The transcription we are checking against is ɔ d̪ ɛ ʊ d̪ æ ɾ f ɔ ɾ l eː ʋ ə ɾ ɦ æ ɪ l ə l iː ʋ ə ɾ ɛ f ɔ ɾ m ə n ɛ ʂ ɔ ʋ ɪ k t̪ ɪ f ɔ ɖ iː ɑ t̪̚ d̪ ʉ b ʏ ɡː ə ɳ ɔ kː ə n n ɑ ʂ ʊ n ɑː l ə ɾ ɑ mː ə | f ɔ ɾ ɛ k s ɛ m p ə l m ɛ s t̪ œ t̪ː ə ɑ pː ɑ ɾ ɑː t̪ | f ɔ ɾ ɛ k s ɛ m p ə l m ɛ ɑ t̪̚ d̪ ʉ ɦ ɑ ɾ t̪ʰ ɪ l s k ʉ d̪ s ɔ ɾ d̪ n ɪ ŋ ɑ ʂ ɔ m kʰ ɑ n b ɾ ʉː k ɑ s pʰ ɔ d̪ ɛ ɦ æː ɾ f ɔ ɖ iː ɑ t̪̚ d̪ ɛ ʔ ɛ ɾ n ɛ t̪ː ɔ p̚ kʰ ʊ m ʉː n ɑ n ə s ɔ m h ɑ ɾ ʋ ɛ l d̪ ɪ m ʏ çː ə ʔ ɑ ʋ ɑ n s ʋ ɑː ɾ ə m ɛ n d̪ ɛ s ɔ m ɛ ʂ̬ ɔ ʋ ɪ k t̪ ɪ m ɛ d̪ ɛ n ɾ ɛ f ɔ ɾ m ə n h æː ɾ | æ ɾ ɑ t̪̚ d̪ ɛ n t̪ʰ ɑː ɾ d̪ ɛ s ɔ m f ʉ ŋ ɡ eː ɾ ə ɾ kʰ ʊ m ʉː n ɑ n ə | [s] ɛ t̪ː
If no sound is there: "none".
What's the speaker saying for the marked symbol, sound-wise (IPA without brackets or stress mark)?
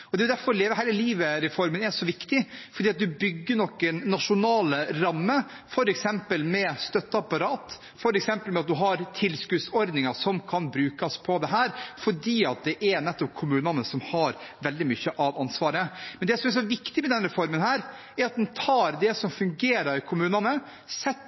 s